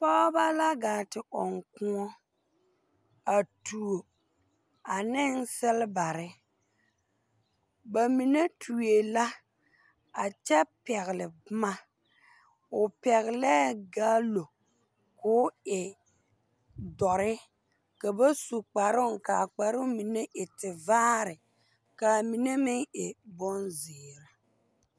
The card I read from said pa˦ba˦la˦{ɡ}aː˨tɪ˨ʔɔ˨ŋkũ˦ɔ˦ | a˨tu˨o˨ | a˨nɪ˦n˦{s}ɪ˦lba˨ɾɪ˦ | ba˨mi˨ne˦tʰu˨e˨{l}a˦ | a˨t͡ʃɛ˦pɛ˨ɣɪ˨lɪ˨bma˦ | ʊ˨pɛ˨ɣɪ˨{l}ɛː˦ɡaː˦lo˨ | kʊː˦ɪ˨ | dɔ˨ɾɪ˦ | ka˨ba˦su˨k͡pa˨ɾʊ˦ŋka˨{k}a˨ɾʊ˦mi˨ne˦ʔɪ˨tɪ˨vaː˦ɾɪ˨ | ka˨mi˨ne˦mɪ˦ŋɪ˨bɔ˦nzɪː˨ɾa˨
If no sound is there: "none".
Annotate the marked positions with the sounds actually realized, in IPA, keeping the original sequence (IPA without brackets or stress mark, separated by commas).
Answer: ɡ, s, l, l, k͡p